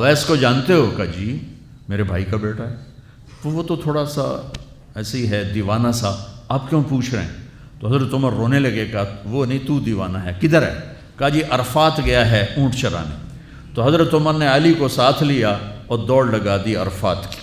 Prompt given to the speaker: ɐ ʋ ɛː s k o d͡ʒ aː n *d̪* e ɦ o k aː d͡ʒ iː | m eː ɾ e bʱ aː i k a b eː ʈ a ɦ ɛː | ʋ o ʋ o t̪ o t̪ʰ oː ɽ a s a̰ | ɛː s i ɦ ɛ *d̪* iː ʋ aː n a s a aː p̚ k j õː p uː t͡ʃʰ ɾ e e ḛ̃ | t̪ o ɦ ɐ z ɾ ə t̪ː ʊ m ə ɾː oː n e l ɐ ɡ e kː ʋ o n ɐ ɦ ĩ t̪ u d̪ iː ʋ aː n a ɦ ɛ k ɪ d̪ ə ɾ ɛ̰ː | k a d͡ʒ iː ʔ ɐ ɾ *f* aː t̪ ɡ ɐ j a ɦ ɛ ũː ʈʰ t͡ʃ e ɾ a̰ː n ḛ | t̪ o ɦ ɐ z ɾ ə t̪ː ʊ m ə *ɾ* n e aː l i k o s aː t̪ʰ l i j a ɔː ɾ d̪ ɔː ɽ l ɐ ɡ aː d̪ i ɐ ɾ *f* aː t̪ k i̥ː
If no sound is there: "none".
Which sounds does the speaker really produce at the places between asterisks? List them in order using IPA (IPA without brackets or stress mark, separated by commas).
t̪, d̪, f, ɾ, f